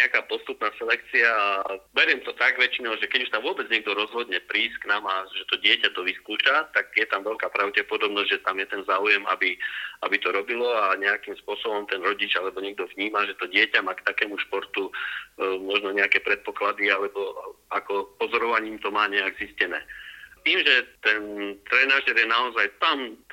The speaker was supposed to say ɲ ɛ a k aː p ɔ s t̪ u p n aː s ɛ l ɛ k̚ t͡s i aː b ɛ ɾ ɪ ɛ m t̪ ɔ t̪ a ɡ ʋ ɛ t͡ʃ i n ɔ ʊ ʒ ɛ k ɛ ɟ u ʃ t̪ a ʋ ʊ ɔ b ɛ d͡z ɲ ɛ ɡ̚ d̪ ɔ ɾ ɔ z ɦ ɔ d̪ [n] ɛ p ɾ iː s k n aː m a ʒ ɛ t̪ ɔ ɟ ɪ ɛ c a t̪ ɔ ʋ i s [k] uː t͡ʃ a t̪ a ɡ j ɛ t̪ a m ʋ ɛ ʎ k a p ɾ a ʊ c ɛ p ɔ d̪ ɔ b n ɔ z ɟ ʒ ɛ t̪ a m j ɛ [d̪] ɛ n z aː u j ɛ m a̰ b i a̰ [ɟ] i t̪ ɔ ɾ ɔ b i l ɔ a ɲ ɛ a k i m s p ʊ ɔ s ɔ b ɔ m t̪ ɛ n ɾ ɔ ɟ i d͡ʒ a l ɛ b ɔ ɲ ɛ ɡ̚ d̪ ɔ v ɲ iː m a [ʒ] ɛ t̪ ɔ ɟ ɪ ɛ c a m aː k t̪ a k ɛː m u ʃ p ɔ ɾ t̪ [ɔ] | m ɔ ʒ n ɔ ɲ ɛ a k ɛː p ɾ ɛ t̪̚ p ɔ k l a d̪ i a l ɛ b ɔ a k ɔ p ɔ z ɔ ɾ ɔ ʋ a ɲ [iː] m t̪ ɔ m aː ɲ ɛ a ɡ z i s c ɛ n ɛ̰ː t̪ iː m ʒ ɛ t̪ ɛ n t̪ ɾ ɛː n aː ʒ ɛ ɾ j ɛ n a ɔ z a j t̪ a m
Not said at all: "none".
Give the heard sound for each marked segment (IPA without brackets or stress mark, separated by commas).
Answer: ɲ, k, t̪, b, ʒ, u, iː